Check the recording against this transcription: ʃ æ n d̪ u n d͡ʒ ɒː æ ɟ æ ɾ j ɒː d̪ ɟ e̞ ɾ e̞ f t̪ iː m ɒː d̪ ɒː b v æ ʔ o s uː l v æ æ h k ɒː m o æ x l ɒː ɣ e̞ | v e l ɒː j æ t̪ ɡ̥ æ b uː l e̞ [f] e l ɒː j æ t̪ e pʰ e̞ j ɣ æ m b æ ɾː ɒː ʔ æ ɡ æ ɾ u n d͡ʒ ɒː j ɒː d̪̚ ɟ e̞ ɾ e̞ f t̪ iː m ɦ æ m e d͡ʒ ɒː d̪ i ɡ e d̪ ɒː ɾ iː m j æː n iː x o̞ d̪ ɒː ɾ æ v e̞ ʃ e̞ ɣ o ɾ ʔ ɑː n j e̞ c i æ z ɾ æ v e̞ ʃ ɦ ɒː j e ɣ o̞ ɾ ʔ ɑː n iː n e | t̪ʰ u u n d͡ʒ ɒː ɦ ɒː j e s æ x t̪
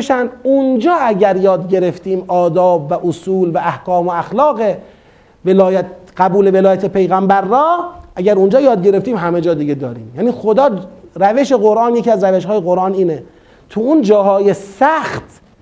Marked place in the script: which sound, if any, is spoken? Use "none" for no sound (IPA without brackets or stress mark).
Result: v